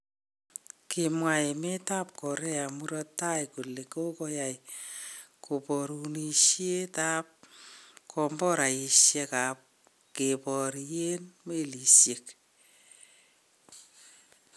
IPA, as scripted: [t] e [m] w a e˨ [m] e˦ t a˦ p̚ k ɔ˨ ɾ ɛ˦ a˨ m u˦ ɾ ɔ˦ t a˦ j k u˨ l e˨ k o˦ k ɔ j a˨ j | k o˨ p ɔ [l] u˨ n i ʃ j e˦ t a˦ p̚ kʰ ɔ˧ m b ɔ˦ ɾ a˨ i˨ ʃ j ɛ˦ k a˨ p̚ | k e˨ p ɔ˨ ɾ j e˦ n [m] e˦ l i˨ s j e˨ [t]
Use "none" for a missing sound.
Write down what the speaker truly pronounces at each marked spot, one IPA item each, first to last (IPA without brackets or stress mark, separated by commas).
k, m, m, ɾ, m, k